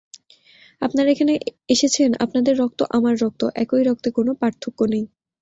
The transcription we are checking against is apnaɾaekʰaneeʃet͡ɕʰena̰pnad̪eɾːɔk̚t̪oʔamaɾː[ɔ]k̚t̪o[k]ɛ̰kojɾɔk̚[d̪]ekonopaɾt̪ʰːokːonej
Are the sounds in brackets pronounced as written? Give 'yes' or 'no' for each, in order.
yes, no, no

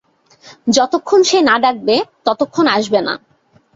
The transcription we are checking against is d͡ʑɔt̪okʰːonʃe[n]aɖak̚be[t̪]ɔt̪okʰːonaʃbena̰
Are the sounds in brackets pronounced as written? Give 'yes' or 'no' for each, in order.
yes, yes

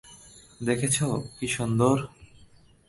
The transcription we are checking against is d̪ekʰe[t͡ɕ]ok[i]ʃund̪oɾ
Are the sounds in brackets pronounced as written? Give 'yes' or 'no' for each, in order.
no, yes

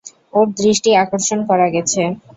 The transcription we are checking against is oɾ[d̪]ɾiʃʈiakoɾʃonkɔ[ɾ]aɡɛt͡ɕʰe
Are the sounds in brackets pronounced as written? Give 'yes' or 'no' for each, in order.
yes, yes

